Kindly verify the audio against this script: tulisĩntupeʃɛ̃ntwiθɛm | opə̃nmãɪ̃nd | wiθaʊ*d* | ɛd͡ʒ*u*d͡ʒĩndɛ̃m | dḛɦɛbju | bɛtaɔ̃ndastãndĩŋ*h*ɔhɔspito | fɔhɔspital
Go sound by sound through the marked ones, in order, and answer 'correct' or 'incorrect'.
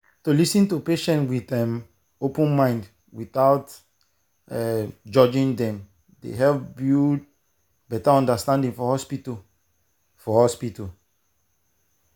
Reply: incorrect: t, incorrect: ɔ, incorrect: f

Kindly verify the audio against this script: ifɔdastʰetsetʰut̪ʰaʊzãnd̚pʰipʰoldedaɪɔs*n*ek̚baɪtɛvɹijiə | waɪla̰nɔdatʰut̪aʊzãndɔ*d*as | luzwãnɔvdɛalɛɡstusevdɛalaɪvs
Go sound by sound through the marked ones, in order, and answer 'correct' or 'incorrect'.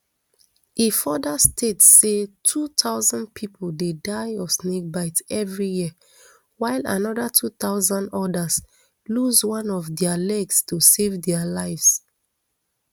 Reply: correct, correct

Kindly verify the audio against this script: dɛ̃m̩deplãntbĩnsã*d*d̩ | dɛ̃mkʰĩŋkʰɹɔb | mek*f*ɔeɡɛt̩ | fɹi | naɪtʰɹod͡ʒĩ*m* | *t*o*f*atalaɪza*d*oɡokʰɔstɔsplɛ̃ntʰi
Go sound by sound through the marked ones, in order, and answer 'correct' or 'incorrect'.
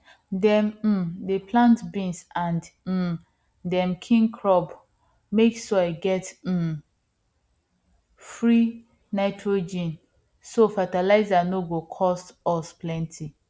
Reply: incorrect: n, incorrect: s, incorrect: n, incorrect: s, correct, incorrect: n

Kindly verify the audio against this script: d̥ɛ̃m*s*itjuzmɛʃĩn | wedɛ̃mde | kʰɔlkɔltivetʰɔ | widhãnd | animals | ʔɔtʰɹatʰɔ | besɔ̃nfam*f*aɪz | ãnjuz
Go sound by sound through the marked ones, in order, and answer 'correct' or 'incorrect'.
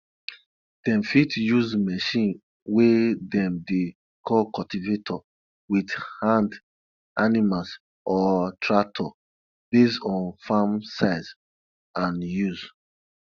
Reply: incorrect: f, incorrect: s

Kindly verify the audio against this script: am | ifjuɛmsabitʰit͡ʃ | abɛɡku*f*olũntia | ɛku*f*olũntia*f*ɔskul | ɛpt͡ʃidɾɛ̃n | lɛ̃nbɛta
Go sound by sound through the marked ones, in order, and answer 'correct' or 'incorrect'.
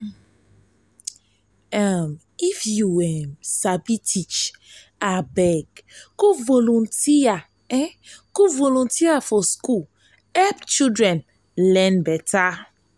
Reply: incorrect: v, incorrect: v, correct

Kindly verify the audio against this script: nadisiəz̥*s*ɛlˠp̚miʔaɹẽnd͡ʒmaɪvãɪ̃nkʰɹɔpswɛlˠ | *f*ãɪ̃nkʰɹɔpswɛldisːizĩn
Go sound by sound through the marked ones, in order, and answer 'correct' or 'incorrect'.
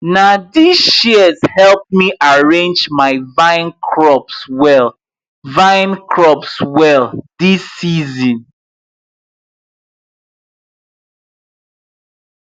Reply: incorrect: h, incorrect: v

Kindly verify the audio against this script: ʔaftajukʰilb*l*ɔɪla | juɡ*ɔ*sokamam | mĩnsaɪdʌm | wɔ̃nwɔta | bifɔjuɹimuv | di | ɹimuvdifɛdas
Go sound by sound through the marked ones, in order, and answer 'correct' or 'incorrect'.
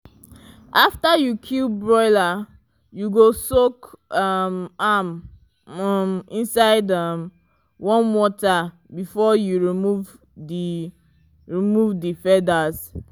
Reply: incorrect: ɹ, incorrect: o

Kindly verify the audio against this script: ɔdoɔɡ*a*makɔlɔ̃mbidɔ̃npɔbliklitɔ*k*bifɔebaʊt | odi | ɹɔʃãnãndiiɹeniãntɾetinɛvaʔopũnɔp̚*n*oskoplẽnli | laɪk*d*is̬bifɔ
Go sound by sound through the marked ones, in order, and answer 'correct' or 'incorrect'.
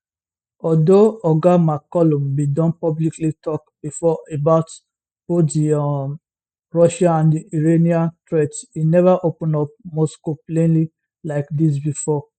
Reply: correct, correct, incorrect: m, correct

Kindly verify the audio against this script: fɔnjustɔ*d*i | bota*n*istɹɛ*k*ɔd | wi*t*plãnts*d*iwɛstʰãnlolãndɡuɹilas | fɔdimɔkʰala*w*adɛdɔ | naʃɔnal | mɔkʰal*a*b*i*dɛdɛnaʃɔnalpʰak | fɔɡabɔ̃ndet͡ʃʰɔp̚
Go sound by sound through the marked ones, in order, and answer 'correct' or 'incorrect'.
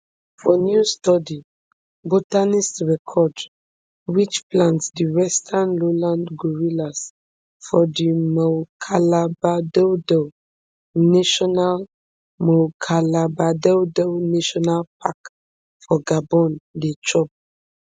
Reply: correct, correct, incorrect: kʰ, incorrect: t͡ʃ, correct, incorrect: b, correct, incorrect: a

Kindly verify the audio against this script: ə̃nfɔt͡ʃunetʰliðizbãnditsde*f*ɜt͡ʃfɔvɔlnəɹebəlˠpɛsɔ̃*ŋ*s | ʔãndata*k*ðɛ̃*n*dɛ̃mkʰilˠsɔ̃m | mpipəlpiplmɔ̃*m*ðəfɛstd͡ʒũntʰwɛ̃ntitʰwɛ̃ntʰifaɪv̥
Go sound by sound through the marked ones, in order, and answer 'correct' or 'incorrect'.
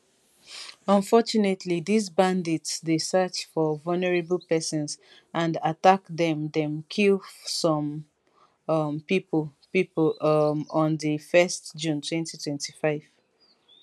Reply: incorrect: s, incorrect: n, correct, incorrect: m, incorrect: n

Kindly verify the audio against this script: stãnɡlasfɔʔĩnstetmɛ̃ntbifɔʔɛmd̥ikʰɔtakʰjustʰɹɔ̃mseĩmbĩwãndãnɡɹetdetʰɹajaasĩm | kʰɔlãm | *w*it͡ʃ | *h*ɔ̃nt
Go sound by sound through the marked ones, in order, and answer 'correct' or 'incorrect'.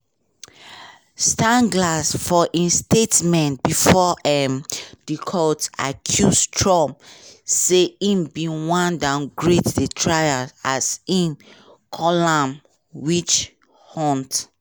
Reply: correct, correct

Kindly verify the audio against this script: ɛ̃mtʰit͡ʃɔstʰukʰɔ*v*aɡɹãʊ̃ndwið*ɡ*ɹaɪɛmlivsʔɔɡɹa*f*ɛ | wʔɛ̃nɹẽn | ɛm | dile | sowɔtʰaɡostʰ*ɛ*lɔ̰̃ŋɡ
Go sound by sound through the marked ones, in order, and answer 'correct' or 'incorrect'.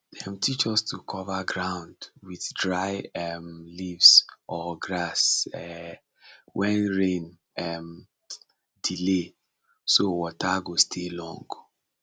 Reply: correct, incorrect: d, incorrect: s, incorrect: e

